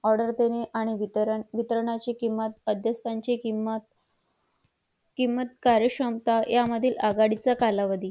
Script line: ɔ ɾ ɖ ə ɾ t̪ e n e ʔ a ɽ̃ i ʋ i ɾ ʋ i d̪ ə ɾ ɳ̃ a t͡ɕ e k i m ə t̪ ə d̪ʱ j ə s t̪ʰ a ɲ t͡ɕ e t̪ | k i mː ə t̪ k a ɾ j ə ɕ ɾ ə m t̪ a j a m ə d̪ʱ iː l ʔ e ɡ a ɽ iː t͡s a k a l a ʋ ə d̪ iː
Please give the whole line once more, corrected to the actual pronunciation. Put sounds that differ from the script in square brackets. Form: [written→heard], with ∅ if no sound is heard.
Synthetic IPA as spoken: ɔ ɾ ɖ ə ɾ t̪ e n e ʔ a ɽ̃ i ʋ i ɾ ʋ i [d̪→t̪] ə ɾ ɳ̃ a t͡ɕ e k i m ə t̪ ə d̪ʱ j ə s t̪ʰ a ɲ t͡ɕ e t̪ | k i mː ə t̪ k a ɾ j ə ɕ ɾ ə m t̪ a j a m ə d̪ʱ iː l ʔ [e→a] ɡ a ɽ [iː→i] t͡s a k a l a ʋ ə d̪ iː